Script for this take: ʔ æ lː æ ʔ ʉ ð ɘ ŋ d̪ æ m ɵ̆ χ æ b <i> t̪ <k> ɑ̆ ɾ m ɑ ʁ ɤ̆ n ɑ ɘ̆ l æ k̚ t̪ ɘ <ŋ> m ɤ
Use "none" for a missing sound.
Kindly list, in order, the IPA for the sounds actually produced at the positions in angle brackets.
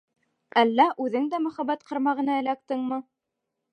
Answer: æ, q, ŋ

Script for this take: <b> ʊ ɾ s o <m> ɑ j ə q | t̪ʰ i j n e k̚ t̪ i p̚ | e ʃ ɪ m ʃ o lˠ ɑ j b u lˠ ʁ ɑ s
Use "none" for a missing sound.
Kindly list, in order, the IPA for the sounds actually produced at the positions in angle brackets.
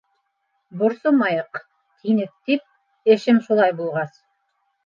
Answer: b, m

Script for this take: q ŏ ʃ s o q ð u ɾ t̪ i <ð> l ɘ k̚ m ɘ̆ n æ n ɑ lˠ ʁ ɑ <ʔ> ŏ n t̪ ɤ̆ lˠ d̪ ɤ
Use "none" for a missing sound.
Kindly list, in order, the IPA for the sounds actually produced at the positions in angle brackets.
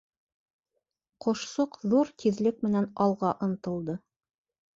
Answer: ð, ʔ

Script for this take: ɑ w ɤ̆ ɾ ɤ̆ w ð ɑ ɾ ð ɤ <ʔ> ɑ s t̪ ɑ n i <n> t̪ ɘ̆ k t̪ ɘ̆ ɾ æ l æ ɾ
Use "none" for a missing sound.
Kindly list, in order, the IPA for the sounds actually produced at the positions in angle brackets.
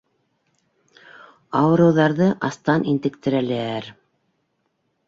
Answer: ʔ, n

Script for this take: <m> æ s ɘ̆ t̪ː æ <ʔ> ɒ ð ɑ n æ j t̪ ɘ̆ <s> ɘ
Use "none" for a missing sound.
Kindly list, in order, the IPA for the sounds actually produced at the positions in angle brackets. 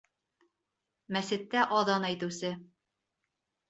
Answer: m, ʔ, s

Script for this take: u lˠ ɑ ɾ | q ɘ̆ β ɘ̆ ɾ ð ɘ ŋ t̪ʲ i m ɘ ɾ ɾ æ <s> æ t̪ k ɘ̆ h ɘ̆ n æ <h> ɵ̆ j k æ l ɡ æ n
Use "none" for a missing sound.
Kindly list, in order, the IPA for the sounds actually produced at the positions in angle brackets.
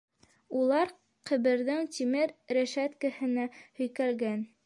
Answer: ʃ, h

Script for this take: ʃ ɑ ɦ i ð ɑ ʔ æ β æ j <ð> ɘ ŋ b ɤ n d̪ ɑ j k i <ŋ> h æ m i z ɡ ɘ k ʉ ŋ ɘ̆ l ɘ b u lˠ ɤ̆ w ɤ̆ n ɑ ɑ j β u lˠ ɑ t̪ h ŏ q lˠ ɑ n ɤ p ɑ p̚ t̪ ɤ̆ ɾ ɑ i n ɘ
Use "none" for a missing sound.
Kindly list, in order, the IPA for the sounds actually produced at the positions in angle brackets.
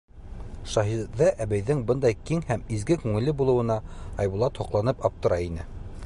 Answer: ð, ŋ

